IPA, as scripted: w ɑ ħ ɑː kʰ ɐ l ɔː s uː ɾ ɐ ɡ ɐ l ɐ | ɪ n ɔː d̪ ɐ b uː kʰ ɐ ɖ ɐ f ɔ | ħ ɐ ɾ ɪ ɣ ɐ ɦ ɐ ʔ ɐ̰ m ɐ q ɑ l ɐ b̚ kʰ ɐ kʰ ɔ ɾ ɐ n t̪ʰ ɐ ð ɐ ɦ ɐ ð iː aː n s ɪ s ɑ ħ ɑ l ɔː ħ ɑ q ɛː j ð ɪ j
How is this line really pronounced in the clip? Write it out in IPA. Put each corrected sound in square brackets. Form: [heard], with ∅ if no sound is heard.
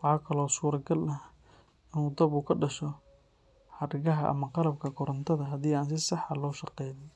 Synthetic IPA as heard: w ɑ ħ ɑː kʰ ɐ l ɔː s uː ɾ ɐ ɡ ɐ l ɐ | ɪ n [uː] d̪ ɐ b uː kʰ ɐ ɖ ɐ [ʃ] ɔ | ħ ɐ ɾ ɪ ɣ ɐ ɦ ɐ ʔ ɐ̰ m ɐ q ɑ l ɐ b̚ kʰ ɐ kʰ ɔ ɾ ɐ n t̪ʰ ɐ ð ɐ ɦ ɐ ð iː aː n s ɪ s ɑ ħ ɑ l ɔː [ʃ] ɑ q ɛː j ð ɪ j